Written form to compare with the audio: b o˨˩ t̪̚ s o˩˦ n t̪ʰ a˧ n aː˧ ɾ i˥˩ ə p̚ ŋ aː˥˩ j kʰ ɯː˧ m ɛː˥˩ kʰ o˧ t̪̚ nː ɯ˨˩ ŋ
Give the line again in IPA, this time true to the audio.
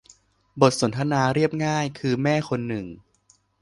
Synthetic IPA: b o˨˩ t̪̚ s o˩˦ n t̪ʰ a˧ n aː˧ ɾ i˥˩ ə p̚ ŋ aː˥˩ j kʰ ɯː˧ m ɛː˥˩ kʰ o˧ nː ɯ˨˩ ŋ